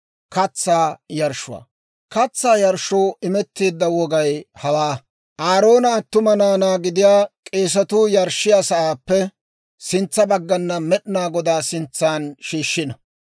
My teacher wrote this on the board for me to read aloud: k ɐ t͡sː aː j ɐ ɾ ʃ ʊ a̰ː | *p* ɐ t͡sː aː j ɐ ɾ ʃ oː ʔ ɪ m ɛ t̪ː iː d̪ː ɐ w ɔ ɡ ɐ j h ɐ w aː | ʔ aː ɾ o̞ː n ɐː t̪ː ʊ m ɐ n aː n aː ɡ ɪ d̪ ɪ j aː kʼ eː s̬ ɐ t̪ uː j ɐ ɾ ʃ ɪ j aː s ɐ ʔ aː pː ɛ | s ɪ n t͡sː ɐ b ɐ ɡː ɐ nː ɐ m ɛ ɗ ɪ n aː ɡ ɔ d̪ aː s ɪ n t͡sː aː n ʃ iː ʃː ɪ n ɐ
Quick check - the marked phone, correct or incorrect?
incorrect